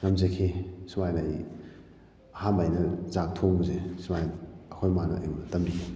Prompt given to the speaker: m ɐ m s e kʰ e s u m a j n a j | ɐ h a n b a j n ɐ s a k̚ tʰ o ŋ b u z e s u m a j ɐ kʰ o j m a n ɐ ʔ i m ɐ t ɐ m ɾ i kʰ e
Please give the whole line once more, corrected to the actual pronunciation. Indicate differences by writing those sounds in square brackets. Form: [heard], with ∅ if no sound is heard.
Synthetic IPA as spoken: [ŋ] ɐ m [z] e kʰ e s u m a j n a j | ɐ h a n b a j n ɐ [z] a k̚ tʰ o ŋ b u z e s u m a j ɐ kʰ o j m a n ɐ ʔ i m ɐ t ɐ m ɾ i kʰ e